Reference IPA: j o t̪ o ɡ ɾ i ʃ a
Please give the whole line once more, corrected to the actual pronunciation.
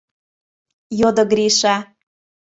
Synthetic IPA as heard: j o d̪ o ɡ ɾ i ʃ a